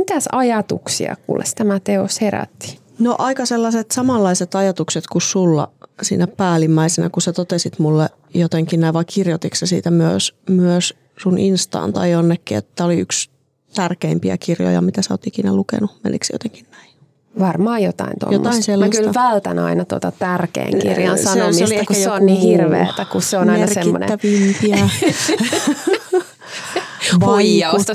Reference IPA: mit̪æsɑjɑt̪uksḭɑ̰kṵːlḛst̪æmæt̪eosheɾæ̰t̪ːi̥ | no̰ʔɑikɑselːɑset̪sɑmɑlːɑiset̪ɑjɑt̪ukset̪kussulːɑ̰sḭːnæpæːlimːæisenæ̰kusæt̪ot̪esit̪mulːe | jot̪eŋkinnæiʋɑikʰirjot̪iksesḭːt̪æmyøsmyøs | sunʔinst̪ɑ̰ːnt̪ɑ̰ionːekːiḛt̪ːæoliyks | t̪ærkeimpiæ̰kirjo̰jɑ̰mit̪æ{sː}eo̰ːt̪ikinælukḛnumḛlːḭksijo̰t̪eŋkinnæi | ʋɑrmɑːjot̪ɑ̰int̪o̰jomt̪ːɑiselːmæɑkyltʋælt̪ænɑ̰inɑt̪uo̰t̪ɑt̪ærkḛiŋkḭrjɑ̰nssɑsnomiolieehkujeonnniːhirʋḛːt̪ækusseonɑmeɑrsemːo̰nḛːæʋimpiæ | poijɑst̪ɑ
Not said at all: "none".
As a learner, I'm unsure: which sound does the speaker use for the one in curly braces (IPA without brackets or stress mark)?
s